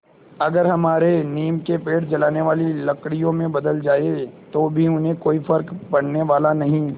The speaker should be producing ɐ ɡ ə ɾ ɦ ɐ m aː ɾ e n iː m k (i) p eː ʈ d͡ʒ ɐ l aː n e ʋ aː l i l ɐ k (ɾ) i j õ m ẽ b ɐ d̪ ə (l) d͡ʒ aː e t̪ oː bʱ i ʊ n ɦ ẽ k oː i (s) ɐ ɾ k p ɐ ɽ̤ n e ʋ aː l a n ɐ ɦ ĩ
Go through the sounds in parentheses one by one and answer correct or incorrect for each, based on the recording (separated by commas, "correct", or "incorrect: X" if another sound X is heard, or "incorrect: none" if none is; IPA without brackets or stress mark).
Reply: incorrect: e, incorrect: ɽ, correct, incorrect: f